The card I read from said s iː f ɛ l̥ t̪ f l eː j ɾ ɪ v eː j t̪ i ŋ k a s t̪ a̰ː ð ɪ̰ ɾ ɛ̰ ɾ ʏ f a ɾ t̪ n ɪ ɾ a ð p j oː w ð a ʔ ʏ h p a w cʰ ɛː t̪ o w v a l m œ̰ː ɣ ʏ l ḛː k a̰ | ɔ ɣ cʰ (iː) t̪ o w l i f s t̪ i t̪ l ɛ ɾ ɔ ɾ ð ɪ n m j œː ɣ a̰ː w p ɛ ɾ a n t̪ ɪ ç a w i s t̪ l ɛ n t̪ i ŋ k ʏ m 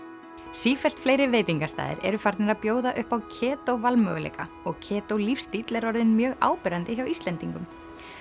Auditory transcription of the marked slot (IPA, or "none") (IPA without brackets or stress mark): ɛː